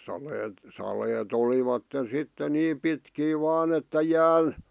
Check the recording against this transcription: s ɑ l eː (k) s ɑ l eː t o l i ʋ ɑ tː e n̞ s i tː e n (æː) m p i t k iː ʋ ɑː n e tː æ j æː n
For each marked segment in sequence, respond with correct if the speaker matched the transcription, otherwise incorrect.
incorrect: t, incorrect: iː

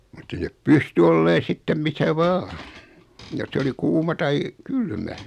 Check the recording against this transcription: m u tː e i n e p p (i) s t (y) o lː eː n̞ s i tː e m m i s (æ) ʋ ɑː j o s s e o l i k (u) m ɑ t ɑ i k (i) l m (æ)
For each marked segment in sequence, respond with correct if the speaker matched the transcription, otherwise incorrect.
incorrect: y, correct, correct, incorrect: uː, incorrect: y, correct

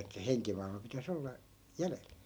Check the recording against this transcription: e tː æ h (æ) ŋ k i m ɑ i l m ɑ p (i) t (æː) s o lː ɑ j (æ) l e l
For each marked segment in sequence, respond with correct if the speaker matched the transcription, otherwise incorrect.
incorrect: e, correct, incorrect: æ, correct

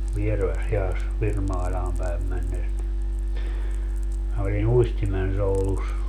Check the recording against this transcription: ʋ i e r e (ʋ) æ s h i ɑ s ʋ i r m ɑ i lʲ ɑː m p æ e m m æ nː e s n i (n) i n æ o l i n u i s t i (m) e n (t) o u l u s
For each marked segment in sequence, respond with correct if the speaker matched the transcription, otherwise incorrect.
correct, incorrect: m, correct, incorrect: s

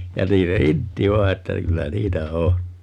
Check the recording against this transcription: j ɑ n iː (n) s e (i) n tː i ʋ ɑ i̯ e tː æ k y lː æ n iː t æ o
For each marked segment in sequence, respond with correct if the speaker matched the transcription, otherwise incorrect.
correct, correct

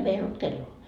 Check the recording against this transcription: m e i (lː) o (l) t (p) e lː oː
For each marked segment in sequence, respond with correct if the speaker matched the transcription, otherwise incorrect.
incorrect: l, correct, incorrect: k

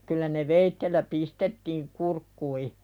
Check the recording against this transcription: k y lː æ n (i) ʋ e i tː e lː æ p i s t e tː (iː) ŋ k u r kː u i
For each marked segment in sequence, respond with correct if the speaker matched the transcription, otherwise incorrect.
incorrect: e, correct

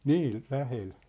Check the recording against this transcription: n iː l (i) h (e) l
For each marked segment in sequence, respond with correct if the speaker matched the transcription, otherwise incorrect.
incorrect: æ, correct

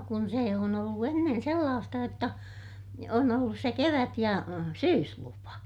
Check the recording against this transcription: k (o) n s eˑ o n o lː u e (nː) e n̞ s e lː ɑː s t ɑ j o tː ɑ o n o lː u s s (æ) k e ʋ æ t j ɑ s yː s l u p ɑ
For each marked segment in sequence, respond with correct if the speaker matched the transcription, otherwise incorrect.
incorrect: u, correct, incorrect: e

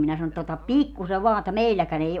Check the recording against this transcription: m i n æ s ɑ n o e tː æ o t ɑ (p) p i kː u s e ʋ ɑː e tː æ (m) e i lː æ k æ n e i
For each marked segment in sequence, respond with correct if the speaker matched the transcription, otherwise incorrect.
correct, correct

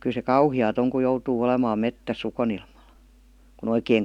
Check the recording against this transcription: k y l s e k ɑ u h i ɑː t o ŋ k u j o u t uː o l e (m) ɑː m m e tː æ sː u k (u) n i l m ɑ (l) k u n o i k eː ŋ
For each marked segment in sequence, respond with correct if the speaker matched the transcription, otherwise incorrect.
correct, incorrect: o, correct

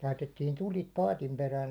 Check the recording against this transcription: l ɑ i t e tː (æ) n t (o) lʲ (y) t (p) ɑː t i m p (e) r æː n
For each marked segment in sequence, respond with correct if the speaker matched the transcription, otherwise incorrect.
incorrect: i, incorrect: u, incorrect: i, correct, correct

